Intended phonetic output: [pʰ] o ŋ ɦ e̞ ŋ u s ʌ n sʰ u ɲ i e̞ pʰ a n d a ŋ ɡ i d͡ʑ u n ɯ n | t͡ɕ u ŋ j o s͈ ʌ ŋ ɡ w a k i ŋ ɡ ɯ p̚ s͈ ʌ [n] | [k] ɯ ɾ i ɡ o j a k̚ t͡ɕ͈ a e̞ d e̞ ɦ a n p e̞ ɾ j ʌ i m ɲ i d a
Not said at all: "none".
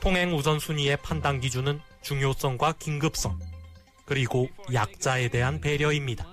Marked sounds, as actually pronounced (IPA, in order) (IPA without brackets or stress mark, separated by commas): tʰ, ŋ, k